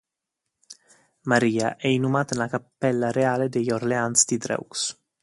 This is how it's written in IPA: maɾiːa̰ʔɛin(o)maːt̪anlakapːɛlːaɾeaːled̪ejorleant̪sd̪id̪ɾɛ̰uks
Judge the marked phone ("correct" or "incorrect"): incorrect